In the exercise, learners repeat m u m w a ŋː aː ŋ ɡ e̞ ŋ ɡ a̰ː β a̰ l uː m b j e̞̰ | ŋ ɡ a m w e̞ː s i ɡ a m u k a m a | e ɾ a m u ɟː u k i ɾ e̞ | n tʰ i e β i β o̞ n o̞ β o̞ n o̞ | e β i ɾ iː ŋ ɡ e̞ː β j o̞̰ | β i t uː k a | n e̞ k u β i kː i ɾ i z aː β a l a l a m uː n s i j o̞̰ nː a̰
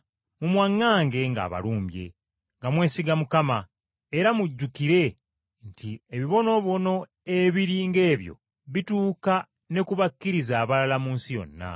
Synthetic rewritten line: m u m w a ŋː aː ŋ ɡ e̞ ŋ ɡ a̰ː β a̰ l uː m b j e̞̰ | ŋ ɡ a m w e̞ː s i ɡ a m u k a m a | e ɾ a m u ɟː u k i ɾ e̞ | n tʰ i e β i β o̞ n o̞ β o̞ n o̞ | e β i ɾ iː ŋ ɡ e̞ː β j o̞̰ | β i t uː k a | n e̞ k u β a kː i ɾ i z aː β a l a l a m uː n s i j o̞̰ nː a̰